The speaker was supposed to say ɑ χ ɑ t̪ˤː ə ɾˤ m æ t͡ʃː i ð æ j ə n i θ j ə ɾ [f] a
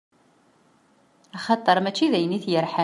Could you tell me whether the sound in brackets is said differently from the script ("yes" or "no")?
yes